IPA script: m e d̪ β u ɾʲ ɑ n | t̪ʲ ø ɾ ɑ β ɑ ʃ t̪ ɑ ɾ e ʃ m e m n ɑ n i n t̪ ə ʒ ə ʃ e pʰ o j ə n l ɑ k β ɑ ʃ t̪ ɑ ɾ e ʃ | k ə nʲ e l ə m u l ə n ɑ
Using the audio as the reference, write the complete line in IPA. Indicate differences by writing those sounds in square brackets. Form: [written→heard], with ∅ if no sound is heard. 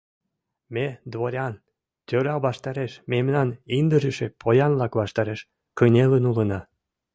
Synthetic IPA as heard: m e d̪ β [u→o] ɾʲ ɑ n | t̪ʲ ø ɾ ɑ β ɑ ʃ t̪ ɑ ɾ e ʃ m e m n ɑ n i n [t̪→d̪] ə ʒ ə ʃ e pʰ o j [ə→ɑ] n l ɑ k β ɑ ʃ t̪ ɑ ɾ e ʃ | k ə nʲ e l ə [m→n] u l ə n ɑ